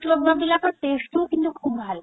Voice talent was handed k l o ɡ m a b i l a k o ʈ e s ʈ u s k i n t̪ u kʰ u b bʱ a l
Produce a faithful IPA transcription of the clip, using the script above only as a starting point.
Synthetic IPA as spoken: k l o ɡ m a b i l a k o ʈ e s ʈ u k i n t̪ u kʰ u b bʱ a l